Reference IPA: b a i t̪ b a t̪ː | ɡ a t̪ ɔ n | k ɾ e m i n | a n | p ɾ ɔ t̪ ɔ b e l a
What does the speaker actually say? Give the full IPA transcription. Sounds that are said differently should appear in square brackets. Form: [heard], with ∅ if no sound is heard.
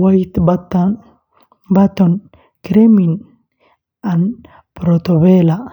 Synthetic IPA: [w] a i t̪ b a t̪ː | [b] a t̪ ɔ n | k ɾ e m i n | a n | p ɾ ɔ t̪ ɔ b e l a